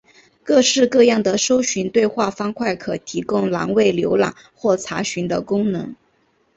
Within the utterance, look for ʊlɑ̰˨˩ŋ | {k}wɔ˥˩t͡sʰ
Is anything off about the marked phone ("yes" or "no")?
yes